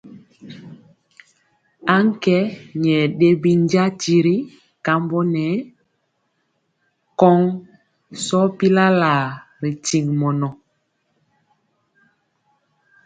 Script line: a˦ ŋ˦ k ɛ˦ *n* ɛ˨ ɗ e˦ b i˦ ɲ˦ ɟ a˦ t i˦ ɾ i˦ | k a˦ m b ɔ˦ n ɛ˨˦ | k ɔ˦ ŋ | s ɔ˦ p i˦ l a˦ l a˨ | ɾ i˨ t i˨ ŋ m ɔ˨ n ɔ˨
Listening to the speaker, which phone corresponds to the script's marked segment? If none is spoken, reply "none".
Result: ɲ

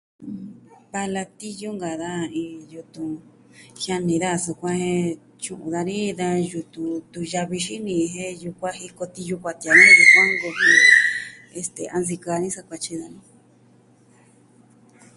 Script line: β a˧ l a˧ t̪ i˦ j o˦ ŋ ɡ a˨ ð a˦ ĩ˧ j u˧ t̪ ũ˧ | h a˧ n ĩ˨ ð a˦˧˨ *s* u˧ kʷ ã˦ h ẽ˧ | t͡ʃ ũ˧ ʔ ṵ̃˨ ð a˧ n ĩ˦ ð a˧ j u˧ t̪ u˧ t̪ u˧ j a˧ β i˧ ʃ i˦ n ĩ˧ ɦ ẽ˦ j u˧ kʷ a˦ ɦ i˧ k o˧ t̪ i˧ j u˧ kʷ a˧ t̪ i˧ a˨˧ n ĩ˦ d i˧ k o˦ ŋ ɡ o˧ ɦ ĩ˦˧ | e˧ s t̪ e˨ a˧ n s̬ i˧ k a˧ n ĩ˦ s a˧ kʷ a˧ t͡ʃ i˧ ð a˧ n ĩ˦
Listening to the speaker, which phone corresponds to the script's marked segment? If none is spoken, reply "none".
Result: s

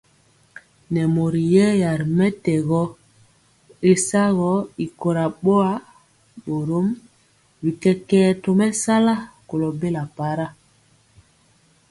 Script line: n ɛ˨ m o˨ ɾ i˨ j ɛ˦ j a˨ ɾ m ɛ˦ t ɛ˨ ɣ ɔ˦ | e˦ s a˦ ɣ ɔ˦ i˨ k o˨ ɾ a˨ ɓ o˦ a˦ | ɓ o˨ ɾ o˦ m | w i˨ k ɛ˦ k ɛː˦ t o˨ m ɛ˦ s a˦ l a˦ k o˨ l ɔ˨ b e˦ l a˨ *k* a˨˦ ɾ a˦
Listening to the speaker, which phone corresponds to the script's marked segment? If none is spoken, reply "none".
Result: p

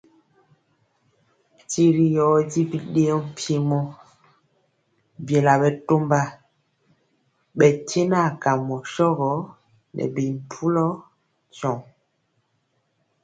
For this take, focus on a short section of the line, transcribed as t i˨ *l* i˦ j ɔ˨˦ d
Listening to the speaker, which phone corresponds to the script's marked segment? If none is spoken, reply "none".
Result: ɾ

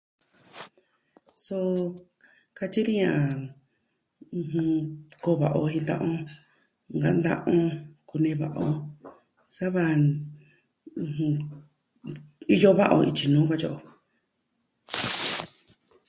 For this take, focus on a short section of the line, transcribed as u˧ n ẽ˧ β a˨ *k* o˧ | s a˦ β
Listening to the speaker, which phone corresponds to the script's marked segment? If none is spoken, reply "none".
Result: ʔ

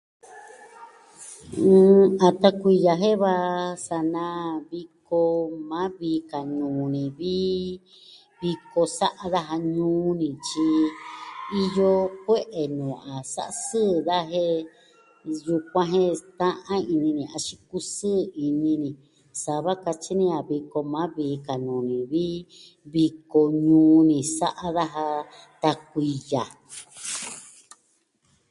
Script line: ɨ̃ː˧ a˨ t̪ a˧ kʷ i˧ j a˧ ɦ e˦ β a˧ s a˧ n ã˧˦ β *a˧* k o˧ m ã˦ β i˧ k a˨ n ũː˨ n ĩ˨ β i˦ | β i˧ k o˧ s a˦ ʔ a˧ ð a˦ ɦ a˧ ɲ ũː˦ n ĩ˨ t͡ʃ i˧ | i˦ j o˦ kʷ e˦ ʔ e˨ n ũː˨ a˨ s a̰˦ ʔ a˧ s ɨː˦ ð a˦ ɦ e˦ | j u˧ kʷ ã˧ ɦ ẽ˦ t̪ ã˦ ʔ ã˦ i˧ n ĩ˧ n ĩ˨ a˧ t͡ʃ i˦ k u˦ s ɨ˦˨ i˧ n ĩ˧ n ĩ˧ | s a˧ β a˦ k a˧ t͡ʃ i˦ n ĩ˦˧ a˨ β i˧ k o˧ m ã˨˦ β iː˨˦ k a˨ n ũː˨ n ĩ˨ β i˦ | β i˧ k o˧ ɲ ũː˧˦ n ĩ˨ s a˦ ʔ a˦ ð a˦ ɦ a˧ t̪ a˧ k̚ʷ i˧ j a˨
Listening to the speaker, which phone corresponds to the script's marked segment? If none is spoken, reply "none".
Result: i˧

